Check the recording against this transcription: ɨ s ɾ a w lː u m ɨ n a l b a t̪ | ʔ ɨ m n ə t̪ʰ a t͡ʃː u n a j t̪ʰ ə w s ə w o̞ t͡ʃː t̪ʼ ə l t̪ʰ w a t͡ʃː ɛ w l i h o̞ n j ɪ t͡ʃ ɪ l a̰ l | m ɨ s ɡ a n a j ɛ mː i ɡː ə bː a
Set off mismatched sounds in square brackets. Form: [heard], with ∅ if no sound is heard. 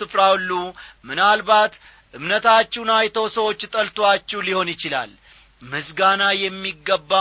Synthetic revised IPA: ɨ [f] ɾ a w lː u m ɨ n a l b a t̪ | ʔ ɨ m n ə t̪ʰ a t͡ʃː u n a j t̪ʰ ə w s ə w o̞ t͡ʃː t̪ʼ ə l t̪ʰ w a t͡ʃː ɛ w l i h o̞ n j ɪ t͡ʃ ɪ l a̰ l | m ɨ s ɡ a n a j ɛ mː i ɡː ə bː a